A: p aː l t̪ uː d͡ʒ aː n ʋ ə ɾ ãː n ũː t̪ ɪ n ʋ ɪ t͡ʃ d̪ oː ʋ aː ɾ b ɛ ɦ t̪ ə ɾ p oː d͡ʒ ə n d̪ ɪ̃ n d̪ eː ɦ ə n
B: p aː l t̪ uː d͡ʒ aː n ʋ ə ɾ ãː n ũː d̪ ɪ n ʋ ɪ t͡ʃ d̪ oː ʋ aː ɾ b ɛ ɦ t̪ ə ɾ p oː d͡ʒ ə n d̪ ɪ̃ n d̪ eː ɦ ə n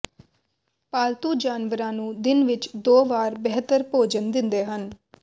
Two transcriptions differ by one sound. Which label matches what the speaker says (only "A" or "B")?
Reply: B